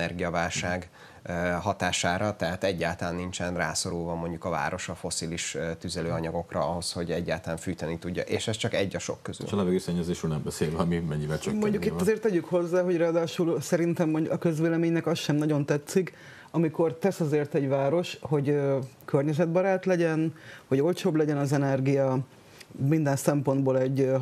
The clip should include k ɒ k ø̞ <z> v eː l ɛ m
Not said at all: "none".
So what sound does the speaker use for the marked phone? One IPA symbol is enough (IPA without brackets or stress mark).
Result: z